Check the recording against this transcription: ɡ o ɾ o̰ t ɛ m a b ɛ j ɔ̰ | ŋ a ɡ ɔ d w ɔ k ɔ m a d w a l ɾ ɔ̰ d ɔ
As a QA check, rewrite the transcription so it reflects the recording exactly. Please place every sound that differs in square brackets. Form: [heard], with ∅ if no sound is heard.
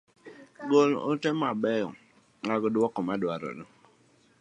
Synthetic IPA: ɡ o [l] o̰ t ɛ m a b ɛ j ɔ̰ | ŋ a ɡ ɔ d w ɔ k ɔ m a d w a [∅] ɾ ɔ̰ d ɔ